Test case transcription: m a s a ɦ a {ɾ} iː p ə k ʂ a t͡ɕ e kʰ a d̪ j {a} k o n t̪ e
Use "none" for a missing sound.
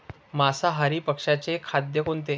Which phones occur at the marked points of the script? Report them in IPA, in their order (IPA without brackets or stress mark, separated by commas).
ɾ, ə